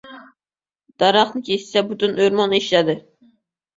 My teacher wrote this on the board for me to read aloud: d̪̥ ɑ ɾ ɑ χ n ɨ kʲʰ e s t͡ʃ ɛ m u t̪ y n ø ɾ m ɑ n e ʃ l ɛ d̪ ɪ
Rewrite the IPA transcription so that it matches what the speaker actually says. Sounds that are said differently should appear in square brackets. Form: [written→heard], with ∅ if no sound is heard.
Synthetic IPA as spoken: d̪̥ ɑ ɾ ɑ χ n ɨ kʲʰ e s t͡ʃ ɛ [m→b] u t̪ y n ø ɾ m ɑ n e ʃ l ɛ d̪ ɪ

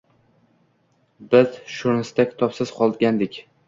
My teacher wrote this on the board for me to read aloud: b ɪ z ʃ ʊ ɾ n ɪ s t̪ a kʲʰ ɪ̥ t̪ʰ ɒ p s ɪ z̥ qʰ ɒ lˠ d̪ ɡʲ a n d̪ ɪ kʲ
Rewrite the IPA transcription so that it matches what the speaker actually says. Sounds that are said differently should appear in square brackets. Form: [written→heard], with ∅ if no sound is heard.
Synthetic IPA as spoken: b ɪ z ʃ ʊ ɾ n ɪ s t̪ a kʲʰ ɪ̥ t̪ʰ ɒ p s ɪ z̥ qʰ ɒ lˠ d̪ ɡʲ a n d̪ ɪ kʲ

